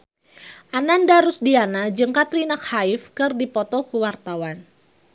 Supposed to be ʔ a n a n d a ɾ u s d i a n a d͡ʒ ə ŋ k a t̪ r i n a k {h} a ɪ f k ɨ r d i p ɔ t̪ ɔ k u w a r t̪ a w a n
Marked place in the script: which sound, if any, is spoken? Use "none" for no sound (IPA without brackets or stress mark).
h